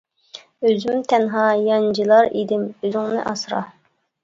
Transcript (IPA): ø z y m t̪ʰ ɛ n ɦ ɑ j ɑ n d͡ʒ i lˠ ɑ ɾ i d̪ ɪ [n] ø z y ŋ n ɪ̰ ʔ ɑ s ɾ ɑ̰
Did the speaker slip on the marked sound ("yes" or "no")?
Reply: yes